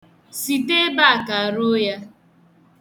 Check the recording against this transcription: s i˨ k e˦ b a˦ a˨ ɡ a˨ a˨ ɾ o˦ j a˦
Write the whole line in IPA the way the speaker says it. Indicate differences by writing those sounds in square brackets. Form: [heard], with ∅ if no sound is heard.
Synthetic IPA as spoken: s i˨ [t] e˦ b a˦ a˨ [k] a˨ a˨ ɾ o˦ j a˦